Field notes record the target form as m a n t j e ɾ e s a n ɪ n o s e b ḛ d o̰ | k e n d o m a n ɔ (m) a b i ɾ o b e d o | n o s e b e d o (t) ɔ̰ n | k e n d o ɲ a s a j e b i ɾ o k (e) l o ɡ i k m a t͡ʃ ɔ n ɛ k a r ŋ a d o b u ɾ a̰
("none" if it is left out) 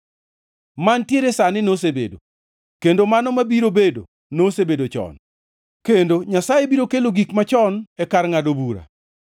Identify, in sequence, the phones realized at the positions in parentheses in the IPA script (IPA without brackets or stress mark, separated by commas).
m, t͡ʃ, e